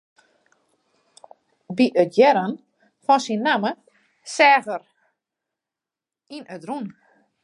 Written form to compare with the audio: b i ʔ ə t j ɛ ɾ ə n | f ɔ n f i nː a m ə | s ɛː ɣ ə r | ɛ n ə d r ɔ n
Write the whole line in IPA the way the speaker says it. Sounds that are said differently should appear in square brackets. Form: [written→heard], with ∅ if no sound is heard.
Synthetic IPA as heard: b i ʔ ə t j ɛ ɾ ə n | f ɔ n [f→s] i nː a m ə | s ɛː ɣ ə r | [ɛ→i] n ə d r [ɔ→u] n